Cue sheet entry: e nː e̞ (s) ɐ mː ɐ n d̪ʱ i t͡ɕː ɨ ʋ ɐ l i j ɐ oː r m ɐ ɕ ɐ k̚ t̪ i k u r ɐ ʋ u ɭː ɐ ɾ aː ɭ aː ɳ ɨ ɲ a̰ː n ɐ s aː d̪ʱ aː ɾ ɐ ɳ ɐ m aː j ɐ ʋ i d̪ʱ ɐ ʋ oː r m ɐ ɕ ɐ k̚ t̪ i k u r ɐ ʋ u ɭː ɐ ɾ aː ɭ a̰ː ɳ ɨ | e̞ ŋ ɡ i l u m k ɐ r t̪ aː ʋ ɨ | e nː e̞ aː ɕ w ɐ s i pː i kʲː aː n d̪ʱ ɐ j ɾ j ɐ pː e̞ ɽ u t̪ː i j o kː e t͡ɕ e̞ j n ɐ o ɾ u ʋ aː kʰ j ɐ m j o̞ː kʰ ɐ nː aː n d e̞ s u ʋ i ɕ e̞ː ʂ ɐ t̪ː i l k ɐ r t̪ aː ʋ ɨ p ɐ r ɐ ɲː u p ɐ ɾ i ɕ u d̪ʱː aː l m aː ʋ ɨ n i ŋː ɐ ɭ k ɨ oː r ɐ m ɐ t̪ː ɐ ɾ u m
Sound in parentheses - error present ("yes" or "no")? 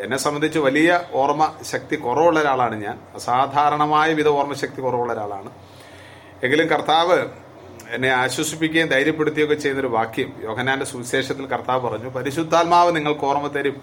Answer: no